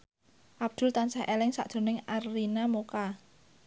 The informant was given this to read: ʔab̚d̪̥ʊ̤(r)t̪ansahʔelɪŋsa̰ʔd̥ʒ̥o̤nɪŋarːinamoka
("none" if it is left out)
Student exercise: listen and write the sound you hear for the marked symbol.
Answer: l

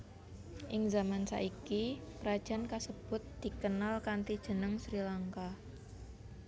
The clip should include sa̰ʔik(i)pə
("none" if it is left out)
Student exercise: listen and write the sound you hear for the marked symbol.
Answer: i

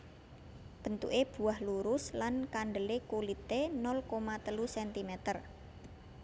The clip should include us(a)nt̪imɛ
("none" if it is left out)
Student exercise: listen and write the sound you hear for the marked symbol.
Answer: ɛ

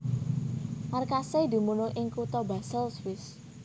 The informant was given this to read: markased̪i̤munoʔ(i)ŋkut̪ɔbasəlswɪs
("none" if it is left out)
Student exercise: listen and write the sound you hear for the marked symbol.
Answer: ɪ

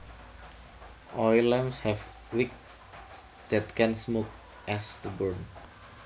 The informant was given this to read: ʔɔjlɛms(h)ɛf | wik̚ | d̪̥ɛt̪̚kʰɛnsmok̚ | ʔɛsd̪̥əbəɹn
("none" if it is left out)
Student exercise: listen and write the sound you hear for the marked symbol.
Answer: h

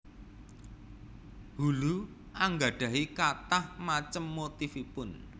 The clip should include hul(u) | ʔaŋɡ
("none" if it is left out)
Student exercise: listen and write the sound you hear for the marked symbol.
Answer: u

